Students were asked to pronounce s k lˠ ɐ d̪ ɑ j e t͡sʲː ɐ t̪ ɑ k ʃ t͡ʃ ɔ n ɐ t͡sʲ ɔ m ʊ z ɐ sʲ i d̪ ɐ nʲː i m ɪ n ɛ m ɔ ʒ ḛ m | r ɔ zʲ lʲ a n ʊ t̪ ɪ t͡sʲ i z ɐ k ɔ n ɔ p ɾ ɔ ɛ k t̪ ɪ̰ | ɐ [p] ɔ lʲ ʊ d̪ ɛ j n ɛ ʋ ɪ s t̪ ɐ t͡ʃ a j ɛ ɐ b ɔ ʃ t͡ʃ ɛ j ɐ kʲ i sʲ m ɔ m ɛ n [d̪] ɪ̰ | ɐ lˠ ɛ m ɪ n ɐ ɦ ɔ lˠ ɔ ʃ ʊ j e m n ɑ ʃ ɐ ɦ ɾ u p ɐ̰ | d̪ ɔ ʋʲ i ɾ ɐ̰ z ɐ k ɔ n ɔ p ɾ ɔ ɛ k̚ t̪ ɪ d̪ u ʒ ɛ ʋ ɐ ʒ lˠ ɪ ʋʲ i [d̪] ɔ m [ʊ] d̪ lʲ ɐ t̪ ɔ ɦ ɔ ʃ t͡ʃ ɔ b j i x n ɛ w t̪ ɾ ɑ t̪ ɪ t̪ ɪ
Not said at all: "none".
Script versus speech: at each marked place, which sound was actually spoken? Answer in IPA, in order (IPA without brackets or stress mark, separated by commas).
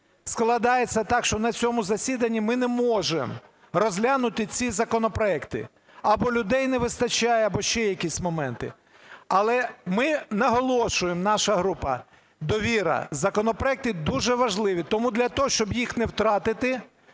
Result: b, t̪, t̪, u